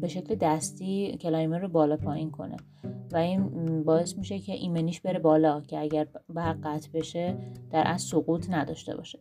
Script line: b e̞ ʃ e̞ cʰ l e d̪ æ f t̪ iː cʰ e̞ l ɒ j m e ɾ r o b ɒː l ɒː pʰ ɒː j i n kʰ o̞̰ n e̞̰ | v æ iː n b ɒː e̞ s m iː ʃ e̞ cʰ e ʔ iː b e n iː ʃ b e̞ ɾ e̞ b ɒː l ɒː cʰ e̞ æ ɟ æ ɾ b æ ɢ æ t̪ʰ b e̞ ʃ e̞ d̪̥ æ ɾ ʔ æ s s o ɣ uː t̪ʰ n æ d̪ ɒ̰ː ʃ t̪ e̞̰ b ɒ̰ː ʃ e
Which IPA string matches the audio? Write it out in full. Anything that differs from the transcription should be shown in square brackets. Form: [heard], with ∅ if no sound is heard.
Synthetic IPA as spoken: b e̞ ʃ e̞ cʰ l e d̪ æ [s] t̪ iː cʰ e̞ l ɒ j m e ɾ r o b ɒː l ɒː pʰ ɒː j i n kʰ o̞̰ n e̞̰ | v æ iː n b ɒː e̞ s m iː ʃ e̞ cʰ e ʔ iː [m] e n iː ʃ b e̞ ɾ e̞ b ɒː l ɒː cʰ e̞ æ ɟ æ ɾ b æ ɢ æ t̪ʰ b e̞ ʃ e̞ d̪̥ æ ɾ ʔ æ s s o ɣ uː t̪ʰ n æ d̪ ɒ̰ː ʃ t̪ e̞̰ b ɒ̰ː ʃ e